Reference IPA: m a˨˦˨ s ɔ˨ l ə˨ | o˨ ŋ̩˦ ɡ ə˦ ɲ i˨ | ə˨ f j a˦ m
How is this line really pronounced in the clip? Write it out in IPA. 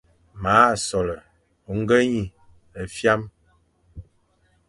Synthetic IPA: m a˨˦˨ s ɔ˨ l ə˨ | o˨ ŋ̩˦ ɡ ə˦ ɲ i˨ | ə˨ f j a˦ m

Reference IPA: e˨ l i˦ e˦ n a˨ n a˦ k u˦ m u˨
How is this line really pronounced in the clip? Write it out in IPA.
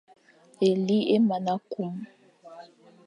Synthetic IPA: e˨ l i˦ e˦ m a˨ n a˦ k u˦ m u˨

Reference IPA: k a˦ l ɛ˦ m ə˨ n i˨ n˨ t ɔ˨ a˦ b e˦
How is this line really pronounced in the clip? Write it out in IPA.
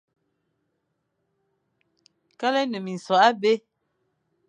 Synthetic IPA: k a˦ l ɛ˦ n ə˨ m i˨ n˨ s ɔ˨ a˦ b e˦

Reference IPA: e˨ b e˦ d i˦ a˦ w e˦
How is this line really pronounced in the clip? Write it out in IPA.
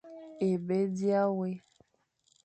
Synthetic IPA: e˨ b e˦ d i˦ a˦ w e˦

